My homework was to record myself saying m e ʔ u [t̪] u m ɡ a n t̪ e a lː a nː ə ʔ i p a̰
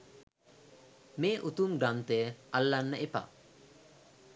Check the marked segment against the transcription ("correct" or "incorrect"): correct